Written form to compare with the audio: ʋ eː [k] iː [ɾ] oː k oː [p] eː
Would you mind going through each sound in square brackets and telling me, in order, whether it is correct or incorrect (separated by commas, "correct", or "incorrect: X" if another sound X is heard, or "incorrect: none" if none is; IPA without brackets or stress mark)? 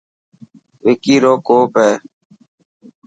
correct, correct, correct